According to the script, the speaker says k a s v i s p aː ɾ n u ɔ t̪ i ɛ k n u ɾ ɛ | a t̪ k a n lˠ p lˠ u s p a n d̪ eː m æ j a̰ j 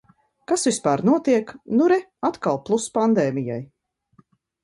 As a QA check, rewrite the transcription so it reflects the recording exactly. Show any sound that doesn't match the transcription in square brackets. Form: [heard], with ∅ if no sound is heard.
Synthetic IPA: k a s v i s p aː ɾ n u ɔ t̪ i ɛ k n u ɾ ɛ | a t̪ k a [∅] lˠ p lˠ u s p a n d̪ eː m [i] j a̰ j